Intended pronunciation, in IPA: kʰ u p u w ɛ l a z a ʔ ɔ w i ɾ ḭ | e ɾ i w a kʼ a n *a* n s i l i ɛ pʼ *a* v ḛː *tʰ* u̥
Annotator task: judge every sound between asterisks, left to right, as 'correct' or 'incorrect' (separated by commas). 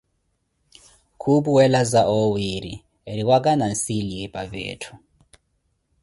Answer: correct, correct, correct